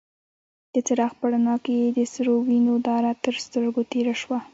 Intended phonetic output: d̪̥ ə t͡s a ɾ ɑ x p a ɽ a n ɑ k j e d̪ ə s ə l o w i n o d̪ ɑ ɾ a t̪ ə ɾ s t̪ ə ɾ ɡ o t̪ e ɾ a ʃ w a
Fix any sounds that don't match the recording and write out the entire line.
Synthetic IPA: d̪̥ ə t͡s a ɾ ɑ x p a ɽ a n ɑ k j e d̪ ə s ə ɾ o w i n o d̪ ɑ ɾ a t̪ ə ɾ s t̪ ə ɾ ɡ o t̪ e ɾ a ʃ w a